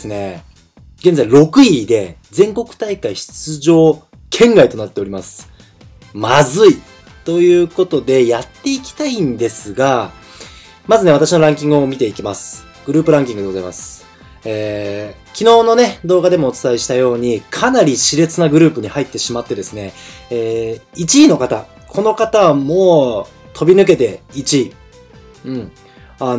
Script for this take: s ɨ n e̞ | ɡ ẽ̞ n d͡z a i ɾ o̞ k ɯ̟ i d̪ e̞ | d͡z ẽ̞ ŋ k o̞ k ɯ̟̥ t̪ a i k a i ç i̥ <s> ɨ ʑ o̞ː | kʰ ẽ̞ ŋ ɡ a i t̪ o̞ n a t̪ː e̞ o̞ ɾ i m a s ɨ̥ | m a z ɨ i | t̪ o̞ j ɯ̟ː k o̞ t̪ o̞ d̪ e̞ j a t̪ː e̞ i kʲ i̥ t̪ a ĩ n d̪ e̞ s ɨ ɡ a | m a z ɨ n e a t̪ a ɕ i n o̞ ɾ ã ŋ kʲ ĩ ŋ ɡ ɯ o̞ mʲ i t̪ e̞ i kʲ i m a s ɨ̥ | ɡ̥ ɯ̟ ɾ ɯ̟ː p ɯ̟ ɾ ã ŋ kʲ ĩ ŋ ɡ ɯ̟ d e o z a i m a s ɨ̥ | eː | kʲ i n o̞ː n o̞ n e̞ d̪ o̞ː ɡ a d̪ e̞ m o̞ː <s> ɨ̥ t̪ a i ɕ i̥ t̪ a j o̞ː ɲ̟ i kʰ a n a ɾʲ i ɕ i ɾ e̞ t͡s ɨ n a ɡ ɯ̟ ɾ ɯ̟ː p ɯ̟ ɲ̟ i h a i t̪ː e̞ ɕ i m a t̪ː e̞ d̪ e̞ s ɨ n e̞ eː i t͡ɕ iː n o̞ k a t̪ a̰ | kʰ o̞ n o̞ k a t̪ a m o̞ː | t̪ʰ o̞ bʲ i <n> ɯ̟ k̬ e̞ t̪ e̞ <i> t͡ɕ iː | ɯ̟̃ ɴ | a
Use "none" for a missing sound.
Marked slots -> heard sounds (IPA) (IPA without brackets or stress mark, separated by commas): t͡s, t͡s, n, i